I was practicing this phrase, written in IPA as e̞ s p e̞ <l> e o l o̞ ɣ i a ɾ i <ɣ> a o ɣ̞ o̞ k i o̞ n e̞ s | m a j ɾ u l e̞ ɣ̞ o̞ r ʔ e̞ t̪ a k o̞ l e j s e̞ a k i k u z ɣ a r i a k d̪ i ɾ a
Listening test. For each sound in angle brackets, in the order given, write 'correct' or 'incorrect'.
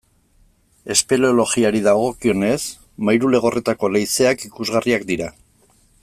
correct, incorrect: ð

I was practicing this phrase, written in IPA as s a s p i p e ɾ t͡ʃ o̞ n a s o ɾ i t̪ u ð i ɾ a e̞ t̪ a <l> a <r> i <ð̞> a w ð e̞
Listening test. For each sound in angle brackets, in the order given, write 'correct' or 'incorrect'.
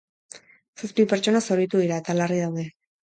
correct, correct, correct

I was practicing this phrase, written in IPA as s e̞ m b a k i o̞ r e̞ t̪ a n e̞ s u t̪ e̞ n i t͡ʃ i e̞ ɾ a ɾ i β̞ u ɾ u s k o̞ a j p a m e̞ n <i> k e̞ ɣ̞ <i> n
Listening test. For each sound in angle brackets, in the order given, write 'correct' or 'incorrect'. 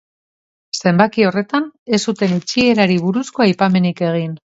correct, correct

